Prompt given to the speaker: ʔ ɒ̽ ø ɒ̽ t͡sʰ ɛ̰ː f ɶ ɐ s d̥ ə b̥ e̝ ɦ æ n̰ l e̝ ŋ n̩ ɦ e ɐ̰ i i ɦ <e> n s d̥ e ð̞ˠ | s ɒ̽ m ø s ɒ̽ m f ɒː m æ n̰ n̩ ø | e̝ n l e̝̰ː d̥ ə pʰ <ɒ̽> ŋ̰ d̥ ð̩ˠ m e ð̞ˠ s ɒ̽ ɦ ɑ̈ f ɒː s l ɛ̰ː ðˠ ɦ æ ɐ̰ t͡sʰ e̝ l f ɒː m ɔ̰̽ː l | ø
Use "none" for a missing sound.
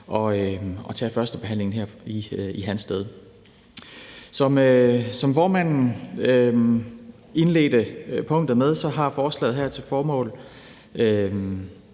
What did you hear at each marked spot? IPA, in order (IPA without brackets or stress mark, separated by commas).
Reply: æ, ɔ̽